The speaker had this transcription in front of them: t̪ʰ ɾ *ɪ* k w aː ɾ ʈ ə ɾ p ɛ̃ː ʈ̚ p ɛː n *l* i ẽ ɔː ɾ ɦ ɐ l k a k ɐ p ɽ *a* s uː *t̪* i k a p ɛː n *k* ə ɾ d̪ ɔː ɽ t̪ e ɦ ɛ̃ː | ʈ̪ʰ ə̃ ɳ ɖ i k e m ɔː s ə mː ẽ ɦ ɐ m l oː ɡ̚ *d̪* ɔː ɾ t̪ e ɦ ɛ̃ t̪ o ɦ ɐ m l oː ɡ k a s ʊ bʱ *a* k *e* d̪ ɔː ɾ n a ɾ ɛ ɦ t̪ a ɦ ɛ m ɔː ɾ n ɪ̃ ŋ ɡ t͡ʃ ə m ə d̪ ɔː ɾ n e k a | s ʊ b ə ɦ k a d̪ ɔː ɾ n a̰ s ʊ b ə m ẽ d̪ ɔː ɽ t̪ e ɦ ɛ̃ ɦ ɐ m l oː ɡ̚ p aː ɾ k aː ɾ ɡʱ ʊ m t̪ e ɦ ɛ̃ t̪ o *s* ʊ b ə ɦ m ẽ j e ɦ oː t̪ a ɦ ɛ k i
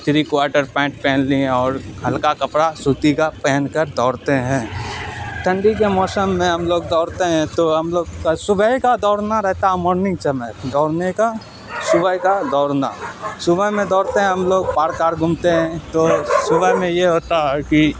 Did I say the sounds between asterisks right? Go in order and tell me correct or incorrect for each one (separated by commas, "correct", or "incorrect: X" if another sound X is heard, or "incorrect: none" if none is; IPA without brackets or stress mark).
incorrect: i, correct, correct, correct, correct, correct, incorrect: ə, incorrect: a, correct